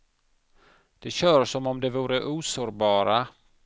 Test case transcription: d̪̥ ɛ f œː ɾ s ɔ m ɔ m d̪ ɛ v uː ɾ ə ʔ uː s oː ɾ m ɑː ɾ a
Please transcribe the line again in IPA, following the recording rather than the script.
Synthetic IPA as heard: d̪̥ ɛ ɕ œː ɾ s ɔ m ɔ m d̪ ɛ v uː ɾ ə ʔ uː s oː ɾ b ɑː ɾ a